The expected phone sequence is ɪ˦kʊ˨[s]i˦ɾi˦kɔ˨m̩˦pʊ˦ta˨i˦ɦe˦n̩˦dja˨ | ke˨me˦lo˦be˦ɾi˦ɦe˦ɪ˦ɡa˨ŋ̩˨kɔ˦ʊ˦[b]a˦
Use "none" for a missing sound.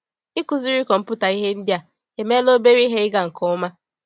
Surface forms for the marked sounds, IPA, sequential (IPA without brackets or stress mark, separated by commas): z, m